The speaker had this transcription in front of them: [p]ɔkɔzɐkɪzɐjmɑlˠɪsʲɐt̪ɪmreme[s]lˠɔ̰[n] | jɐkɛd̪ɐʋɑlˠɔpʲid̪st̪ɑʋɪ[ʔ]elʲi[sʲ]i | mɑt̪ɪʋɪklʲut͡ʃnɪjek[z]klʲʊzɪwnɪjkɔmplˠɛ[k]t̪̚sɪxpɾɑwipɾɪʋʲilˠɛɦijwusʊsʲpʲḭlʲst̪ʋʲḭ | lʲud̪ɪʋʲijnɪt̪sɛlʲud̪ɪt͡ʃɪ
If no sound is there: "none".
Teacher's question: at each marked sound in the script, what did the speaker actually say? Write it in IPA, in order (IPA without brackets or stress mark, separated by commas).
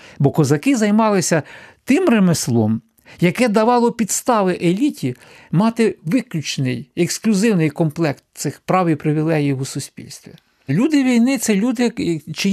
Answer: b, s, m, ʔ, tʲ, s, k